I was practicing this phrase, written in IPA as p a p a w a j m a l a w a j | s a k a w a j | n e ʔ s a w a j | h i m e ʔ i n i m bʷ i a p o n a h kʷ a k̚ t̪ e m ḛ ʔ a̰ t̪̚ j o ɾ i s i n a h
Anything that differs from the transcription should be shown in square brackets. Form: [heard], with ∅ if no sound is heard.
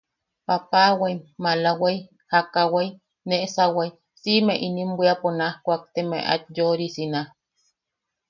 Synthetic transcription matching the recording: p a p a w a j m a l a w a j | [h] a k a w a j | n e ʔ s a w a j | [s] i m e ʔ i n i m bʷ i a p o n a h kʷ a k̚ t̪ e m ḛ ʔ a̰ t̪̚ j o ɾ i s i n a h